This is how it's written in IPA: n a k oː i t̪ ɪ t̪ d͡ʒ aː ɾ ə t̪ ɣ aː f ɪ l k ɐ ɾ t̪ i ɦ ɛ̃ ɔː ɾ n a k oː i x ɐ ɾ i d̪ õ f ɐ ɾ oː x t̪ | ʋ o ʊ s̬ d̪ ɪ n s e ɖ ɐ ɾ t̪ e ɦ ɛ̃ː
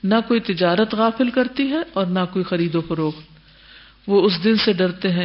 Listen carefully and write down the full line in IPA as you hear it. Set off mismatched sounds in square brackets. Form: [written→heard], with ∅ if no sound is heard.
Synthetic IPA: n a k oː i t̪ ɪ [t̪→∅] d͡ʒ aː ɾ ə t̪ ɣ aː f ɪ l k ɐ ɾ t̪ i ɦ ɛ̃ ɔː ɾ n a k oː i x ɐ ɾ [i→iː] d̪ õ f ɐ ɾ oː x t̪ | ʋ o ʊ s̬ d̪ ɪ n s e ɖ ɐ ɾ t̪ e ɦ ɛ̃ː